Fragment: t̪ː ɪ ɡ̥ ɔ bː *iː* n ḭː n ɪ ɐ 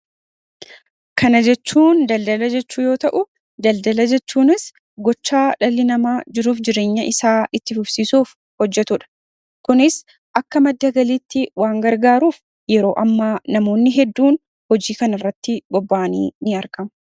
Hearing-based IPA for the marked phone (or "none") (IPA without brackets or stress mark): aː